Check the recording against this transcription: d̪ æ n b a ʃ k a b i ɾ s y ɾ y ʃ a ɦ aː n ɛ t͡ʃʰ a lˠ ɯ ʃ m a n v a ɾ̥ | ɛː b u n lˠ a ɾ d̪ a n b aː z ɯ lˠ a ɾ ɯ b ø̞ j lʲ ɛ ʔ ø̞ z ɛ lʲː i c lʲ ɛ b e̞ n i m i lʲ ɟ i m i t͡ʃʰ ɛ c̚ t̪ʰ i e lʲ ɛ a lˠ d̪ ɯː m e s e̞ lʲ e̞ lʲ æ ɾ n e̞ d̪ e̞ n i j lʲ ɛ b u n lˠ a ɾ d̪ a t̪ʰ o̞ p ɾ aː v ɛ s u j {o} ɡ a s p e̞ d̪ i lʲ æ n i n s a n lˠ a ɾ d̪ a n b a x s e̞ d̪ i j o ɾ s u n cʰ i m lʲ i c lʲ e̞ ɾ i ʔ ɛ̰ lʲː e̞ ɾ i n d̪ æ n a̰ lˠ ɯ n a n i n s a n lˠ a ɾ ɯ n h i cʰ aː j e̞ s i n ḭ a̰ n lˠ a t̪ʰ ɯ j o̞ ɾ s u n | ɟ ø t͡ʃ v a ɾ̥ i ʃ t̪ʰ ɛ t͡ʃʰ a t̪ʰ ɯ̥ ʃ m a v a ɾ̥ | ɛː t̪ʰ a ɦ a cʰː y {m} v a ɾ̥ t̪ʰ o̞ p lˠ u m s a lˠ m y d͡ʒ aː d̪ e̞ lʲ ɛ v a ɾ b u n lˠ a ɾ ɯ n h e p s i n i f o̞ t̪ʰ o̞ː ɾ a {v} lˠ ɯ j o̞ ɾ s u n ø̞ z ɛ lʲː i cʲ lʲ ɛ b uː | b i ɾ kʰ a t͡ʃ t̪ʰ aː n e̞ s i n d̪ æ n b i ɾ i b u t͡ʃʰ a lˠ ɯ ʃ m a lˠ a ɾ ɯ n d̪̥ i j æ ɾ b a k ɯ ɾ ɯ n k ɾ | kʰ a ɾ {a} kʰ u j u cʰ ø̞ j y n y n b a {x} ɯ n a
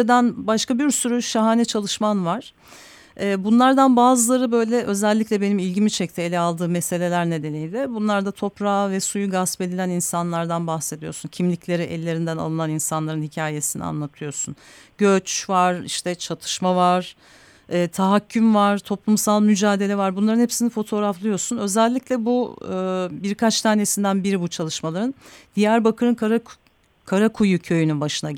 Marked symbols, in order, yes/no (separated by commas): no, yes, no, yes, no